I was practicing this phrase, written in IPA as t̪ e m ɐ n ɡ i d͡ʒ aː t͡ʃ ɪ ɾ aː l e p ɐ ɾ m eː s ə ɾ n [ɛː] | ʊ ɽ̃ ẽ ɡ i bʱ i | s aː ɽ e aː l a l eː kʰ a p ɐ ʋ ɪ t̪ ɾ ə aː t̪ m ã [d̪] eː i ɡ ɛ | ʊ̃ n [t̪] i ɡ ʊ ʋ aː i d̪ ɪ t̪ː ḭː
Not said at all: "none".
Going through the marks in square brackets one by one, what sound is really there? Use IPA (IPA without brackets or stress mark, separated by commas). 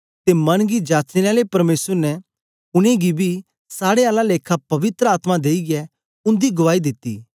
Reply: ɛ, d̪, d̪